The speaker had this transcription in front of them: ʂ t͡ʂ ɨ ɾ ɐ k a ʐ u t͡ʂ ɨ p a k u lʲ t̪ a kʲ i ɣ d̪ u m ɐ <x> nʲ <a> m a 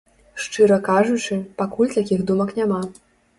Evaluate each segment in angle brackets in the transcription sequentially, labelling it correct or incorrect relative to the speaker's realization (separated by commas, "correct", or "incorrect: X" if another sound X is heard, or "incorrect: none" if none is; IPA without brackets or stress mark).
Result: incorrect: k, correct